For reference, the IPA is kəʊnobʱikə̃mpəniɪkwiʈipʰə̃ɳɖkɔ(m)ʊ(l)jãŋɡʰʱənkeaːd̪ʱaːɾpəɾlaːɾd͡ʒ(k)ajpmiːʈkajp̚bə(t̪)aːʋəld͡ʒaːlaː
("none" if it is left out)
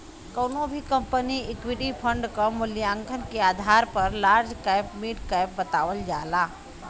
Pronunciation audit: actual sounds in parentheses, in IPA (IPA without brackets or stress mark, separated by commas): m, l, k, t̪